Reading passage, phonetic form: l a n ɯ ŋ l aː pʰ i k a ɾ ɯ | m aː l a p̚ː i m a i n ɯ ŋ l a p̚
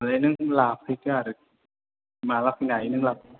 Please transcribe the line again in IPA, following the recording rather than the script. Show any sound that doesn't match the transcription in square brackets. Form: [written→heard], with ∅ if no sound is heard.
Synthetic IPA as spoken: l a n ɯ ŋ l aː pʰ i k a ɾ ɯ | m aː l a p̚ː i [m→n] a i n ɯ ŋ l a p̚

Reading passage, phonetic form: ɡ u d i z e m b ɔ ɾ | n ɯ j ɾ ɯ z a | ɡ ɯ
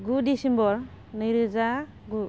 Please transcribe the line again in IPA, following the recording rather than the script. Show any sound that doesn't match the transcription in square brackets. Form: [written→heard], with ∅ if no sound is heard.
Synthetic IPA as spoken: ɡ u d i [z→s] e m b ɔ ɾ | n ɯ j ɾ ɯ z a | ɡ [ɯ→u]

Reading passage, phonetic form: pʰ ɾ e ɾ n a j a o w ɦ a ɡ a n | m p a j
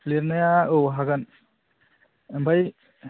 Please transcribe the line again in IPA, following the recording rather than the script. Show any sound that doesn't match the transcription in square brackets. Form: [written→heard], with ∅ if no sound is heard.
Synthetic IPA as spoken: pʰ [ɾ→l] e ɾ n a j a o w ɦ a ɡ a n | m [p→b] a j

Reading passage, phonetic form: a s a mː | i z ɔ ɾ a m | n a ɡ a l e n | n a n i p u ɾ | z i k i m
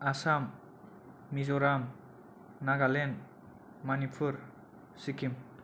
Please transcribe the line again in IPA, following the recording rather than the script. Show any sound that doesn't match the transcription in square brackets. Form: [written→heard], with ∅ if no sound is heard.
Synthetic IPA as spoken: a s a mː | i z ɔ ɾ a m | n a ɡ a l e n | [n→m] a n i [p→pʰ] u ɾ | [z→s] i k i m

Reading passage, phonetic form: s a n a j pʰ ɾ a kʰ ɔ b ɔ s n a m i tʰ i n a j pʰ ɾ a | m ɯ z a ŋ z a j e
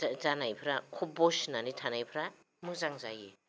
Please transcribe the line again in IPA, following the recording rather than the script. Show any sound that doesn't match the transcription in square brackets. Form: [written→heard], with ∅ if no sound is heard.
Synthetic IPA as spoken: [s→z] a n a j pʰ ɾ a kʰ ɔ b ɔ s n a [m→n] i tʰ [i→a] n a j pʰ ɾ a | m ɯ z a ŋ z a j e

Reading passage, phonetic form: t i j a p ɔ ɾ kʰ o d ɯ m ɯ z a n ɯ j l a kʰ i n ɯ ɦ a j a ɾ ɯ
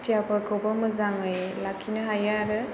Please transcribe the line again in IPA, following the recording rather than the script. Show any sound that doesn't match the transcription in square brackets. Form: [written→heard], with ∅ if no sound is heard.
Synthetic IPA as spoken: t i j a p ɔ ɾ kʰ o [d→b] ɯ m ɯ z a [n→ŋ] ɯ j l a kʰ i n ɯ ɦ a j a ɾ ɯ

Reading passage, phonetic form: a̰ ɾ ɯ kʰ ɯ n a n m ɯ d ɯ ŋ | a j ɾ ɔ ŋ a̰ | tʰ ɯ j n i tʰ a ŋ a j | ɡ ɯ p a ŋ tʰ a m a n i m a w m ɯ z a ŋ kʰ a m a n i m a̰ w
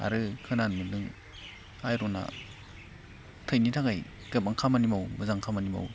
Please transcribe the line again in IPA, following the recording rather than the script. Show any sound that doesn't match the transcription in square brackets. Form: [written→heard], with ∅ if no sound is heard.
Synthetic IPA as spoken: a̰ ɾ ɯ kʰ ɯ n a n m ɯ d ɯ ŋ | a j ɾ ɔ [ŋ→n] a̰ | tʰ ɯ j n i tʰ a ŋ a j | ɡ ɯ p a ŋ [tʰ→kʰ] a m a n i m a w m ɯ z a ŋ kʰ a m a n i m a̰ w

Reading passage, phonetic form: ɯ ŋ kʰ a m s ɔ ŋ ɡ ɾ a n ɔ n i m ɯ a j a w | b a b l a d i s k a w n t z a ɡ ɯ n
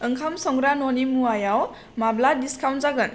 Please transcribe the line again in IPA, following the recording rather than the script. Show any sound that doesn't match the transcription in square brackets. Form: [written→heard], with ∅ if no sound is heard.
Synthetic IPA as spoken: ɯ ŋ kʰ a m s ɔ ŋ ɡ ɾ a n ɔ n i m [ɯ→u] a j a w | [b→m] a b l a d i s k a w n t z a ɡ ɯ n

